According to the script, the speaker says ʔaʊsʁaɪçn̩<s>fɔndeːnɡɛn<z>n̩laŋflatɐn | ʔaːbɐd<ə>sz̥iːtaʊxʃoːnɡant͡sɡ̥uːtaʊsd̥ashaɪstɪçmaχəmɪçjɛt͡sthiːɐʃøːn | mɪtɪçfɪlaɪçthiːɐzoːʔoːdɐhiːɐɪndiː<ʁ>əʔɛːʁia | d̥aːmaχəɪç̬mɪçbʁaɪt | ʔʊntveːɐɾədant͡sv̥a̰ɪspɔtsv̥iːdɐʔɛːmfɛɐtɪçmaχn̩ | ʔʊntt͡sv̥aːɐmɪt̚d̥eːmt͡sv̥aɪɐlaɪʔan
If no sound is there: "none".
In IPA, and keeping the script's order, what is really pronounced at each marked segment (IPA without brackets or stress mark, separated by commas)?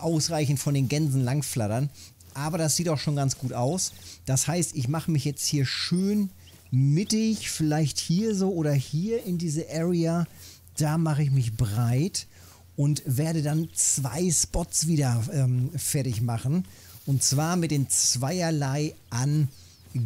t, z, a, z